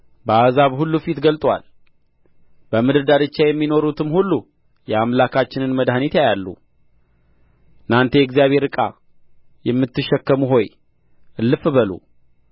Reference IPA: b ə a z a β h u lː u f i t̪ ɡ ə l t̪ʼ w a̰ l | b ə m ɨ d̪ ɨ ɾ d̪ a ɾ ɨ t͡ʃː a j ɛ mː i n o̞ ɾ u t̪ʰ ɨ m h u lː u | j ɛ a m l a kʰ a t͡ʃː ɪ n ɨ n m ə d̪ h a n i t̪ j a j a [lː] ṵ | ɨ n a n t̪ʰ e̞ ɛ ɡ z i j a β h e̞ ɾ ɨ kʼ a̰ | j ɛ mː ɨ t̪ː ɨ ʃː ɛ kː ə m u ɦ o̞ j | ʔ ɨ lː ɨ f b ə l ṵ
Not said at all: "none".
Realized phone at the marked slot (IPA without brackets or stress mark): lː